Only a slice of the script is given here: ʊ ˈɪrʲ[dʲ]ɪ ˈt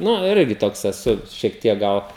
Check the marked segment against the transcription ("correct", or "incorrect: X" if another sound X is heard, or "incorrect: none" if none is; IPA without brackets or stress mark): incorrect: ɡʲ